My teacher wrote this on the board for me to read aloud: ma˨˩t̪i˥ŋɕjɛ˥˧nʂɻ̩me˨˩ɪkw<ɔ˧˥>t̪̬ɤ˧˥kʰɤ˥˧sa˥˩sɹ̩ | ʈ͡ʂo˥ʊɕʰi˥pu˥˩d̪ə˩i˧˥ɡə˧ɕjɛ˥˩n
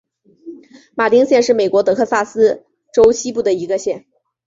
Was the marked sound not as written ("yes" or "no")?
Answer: no